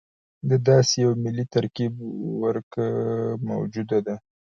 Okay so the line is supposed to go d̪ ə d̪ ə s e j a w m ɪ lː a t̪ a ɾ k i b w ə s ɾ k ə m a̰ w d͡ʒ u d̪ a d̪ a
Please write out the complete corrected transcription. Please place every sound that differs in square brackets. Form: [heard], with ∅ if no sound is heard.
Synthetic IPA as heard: d̪ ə d̪ [ɑ] s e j a w m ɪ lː [i] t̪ a ɾ k i b w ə [∅] ɾ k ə m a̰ w d͡ʒ u d̪ a d̪ a